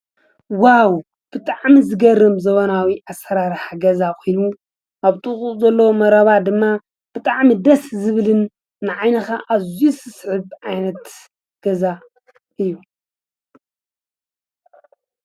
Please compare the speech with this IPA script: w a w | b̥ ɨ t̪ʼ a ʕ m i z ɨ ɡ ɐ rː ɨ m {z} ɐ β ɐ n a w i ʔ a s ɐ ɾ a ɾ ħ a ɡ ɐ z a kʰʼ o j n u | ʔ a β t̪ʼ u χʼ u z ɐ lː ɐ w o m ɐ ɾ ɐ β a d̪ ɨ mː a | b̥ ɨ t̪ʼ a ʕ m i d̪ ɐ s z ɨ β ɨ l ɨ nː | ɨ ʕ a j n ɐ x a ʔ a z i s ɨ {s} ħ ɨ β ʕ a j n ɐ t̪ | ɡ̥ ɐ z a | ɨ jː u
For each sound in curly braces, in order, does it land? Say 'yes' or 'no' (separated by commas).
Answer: yes, yes